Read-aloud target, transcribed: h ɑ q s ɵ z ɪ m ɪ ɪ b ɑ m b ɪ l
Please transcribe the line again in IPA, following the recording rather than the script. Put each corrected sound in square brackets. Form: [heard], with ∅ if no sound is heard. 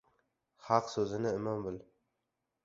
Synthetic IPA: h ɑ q s ɵ z ɪ [n] ɪ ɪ [m] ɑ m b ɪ l